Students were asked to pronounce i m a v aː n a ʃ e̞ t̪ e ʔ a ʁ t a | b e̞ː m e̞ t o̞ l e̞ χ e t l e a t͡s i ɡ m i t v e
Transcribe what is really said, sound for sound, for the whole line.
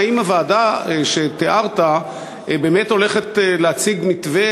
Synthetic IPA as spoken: i m a v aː d a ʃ e̞ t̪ e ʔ a ʁ t a | b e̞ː m e̞ t o̞ l e̞ χ e t l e a t͡s i ɡ m i t v e